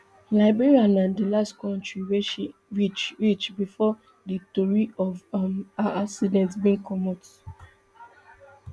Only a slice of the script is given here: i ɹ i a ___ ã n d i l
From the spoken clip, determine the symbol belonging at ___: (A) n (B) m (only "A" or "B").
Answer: A